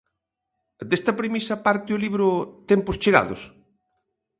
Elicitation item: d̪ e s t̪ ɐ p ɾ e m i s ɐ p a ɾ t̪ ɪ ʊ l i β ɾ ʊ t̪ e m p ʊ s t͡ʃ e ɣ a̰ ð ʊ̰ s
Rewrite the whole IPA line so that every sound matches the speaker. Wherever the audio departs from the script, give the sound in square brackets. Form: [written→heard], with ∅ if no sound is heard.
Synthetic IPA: d̪ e s t̪ ɐ p ɾ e m i s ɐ p a ɾ t̪ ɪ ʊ l i β ɾ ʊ t̪ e m p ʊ s t͡ʃ e ɣ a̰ ð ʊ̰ s